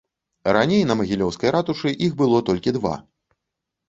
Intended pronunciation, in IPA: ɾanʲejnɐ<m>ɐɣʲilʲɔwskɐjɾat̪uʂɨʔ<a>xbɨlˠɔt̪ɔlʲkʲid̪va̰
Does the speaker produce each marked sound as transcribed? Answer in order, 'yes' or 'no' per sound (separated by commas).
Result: yes, no